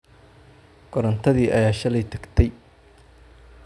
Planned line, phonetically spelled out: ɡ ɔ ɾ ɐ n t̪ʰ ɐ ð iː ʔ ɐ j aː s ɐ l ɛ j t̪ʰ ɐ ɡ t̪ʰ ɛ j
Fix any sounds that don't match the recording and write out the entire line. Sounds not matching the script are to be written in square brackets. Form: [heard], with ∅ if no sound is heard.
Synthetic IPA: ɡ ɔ ɾ ɐ n t̪ʰ ɐ ð iː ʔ ɐ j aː [ʃ] ɐ l ɛ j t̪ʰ ɐ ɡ t̪ʰ ɛ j